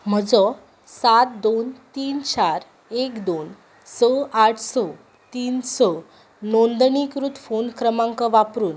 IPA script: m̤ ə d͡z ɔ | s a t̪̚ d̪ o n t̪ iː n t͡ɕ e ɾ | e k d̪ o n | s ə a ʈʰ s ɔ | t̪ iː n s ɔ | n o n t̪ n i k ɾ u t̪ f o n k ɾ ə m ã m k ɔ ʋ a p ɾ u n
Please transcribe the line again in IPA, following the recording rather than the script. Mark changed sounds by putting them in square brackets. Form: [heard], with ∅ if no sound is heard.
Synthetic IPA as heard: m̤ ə d͡z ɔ | s a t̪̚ d̪ o n t̪ iː n t͡ɕ [a] ɾ | e k d̪ o n | s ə a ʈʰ s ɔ | t̪ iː n s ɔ | n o n [d̪] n i k ɾ u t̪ f o n k ɾ ə m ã [ŋ] k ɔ ʋ a p ɾ [uː] n